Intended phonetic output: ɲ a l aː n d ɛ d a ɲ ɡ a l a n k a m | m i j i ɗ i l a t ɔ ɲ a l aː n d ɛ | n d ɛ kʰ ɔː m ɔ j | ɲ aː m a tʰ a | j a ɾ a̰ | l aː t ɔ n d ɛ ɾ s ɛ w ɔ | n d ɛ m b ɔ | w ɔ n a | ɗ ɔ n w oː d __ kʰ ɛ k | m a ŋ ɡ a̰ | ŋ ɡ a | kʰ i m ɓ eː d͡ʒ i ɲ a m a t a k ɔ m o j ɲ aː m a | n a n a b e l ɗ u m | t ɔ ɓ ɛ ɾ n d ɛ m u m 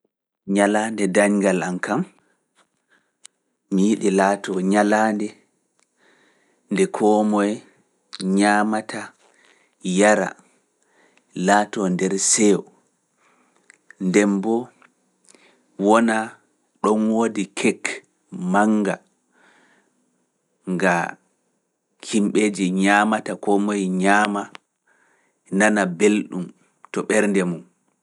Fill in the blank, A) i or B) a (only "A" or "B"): A